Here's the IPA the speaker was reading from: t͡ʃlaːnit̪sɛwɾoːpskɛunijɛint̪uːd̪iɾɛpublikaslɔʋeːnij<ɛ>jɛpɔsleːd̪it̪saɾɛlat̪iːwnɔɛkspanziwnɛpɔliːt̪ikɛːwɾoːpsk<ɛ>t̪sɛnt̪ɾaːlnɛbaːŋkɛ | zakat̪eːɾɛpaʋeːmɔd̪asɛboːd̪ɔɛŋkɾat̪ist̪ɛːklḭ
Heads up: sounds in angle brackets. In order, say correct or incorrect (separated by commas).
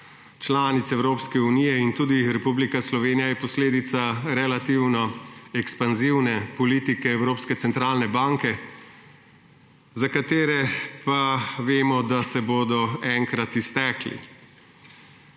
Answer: incorrect, correct